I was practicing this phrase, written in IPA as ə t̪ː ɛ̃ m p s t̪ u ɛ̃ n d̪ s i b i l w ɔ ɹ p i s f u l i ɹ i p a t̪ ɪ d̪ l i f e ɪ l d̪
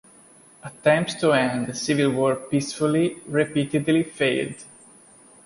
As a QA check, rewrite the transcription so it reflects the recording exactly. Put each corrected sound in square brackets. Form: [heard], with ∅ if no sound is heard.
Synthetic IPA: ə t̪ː ɛ̃ m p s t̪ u ɛ̃ n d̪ s i [v] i l w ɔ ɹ p i s f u l i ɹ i p [i] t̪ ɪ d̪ l i f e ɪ l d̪